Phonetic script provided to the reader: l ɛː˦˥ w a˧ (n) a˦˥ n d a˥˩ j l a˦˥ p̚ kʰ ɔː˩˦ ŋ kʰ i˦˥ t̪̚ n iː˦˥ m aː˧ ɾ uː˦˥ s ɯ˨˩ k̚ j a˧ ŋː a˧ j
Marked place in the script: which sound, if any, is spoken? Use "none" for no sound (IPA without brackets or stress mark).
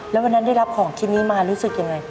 nː